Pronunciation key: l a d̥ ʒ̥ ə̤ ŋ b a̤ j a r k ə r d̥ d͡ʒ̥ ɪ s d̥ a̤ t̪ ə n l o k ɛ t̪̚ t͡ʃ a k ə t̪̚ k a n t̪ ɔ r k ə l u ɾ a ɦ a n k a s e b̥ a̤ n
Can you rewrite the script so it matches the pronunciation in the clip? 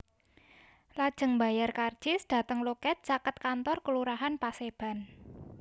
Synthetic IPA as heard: l a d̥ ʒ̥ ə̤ ŋ b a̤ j a r k a r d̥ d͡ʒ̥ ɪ s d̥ a̤ t̪ ə ŋ l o k ɛ t̪̚ t͡ʃ a k ə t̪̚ k a n t̪ ɔ r k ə l u ɾ a ɦ a n p a s e b̥ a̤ n

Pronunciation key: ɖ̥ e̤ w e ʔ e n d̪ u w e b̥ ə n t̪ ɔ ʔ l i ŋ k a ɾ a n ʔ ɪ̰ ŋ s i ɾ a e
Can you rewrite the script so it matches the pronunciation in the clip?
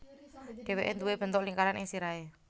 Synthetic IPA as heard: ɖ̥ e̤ w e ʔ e n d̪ u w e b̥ ə n t̪ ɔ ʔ l i ŋ k a ɾ a n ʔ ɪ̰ ŋ s i ɾ a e

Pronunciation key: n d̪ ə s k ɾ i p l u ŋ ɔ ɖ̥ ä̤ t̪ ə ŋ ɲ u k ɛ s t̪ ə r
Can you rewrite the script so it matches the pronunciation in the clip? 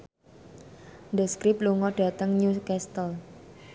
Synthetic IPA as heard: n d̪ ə s k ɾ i p l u ŋ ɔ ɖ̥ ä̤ t̪ ə ŋ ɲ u k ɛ s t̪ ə l

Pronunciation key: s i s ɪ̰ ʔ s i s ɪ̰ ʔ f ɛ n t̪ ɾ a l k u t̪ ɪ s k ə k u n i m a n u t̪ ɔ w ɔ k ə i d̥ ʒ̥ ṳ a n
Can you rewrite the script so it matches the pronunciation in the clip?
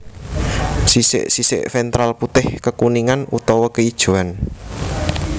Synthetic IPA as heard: s i s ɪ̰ ʔ s i s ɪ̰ ʔ f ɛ n t̪ ɾ a l p u t̪ ɪ h k ə k u n i ŋ a n u t̪ ɔ w ɔ k ə i d̥ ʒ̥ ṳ a n

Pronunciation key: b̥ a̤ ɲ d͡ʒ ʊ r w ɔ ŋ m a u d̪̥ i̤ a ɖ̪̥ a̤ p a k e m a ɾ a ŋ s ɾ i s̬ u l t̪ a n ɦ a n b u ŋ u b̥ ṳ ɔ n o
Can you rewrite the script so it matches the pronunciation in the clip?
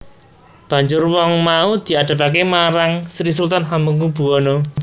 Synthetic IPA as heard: b̥ a̤ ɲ d͡ʒ ʊ r w ɔ ŋ m a u d̪̥ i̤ a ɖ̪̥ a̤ p a k e m a ɾ a ŋ s ɾ i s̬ u l t̪ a n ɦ a m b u ŋ u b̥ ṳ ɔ n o

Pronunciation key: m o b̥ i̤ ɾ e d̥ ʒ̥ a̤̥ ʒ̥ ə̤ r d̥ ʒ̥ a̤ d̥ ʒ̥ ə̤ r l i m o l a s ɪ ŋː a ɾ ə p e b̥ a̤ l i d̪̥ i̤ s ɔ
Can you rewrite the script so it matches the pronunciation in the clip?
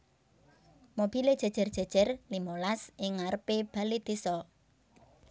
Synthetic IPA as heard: m o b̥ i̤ l e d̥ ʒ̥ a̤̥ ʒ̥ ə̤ r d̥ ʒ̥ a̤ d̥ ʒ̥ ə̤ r l i m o l a s ɪ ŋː a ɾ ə p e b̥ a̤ l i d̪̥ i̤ s ɔ

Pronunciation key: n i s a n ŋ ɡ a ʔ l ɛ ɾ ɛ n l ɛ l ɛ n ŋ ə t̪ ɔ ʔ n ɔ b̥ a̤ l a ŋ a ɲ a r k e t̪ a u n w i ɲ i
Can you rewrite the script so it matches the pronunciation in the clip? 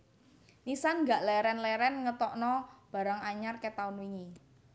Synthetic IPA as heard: n i s a n ŋ ɡ a ʔ l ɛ ɾ ɛ n l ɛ ɾ ɛ n ŋ ə t̪ ɔ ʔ n ɔ b̥ a̤ ɾ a ŋ a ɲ a r k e t̪ a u n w i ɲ i

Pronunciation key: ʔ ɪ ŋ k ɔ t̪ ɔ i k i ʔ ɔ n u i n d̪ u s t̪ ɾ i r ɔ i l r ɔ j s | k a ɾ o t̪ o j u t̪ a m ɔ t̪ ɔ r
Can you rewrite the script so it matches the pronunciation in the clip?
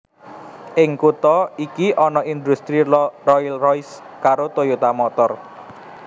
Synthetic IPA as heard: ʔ ɪ ŋ k u t̪ ɔ i k i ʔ ɔ n ɔ i n d̪ u s t̪ ɾ i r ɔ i l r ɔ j s | k a ɾ o t̪ o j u t̪ a m ɔ t̪ ɔ r

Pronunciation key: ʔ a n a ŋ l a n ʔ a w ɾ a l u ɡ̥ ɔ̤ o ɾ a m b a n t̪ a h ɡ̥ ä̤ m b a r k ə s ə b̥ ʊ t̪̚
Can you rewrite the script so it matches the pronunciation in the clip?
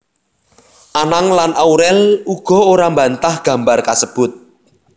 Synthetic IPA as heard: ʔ a n a ŋ l a n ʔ a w ɾ ɛ l u ɡ̥ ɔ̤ o ɾ a m b a n t̪ a h ɡ̥ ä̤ m b a r k a s ə b̥ ʊ t̪̚

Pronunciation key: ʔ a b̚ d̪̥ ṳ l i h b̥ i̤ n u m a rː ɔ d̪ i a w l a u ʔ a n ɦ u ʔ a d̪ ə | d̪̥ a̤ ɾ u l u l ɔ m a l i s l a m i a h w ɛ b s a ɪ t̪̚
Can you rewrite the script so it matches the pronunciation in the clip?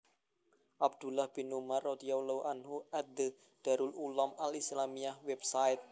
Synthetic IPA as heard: ʔ a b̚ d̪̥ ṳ l a h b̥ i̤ n u m a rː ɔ d̪ i a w l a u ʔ a n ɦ u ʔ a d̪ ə | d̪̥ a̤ ɾ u l u l ɔ m a l i s l a m i a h w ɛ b s a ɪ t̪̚

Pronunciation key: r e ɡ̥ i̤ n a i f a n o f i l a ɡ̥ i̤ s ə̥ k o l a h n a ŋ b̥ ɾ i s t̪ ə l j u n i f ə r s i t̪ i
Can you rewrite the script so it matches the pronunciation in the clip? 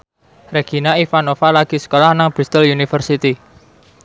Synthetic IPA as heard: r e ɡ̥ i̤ n a i f a n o f a l a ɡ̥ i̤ s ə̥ k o l a h n a ŋ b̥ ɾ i s t̪ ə l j u n i f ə r s i t̪ i

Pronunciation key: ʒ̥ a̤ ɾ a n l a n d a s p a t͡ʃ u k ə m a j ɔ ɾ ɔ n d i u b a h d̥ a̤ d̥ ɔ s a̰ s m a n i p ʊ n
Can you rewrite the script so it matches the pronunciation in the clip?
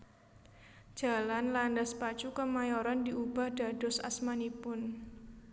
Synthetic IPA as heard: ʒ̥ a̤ l a n l a n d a s p a t͡ʃ u k ə m a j ɔ ɾ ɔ n d i u b a h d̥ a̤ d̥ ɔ s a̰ s m a n i p ʊ n

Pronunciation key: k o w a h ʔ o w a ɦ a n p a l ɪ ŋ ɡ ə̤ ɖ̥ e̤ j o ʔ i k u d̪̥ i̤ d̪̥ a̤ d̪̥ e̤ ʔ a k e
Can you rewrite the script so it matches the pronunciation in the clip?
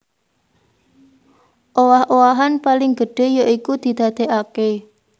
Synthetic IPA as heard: ʔ o w a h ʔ o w a ɦ a n p a l ɪ ŋ ɡ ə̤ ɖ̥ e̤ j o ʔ i k u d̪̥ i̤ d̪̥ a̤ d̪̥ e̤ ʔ a k e

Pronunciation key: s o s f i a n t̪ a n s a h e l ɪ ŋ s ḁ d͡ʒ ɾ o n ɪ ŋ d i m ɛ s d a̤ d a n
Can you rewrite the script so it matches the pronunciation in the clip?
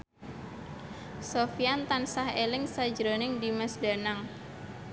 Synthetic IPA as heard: s o f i a n t̪ a n s a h e l ɪ ŋ s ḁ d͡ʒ ɾ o n ɪ ŋ d i m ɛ s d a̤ n a ŋ

